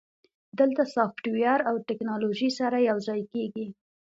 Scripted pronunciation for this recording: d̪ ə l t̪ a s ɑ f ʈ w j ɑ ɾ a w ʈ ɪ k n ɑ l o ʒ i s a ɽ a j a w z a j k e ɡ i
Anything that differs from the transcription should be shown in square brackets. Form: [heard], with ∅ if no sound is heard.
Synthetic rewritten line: d̪ ə l t̪ a s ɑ f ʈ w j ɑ ɾ a w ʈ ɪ k n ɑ l o ʒ i s a [ɾ] a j a w z [ɑ] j k e ɡ i